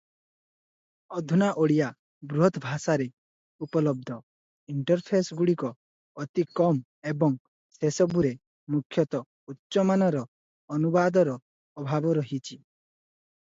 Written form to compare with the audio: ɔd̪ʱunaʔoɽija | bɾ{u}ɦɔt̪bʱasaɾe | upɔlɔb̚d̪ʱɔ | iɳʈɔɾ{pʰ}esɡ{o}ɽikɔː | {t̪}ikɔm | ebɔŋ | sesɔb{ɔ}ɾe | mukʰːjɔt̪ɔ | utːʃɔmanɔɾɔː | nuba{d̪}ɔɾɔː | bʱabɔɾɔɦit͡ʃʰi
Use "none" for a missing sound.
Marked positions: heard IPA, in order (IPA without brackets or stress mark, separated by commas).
u, pʰ, u, t̪, u, d̪